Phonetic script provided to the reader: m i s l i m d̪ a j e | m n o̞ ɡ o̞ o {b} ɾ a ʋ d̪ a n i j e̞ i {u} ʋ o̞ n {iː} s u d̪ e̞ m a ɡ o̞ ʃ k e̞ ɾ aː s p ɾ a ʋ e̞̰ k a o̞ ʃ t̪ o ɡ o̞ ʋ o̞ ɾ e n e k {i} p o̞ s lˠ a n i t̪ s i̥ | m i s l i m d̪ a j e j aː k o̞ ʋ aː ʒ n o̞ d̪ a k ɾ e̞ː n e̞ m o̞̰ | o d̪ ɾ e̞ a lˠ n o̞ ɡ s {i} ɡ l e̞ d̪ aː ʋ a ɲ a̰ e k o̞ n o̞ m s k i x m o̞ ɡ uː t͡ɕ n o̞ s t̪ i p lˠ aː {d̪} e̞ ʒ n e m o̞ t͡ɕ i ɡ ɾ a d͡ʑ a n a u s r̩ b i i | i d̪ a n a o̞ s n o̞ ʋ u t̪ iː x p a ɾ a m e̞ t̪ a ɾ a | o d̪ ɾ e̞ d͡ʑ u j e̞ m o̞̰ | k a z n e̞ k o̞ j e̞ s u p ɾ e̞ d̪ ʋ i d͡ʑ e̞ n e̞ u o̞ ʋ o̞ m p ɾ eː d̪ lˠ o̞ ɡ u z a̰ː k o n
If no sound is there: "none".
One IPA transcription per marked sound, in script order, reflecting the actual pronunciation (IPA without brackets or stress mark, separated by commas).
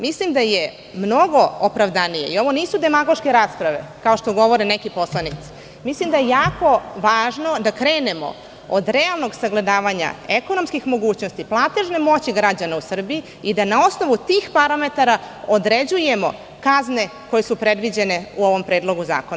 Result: p, o, iː, i, a, t̪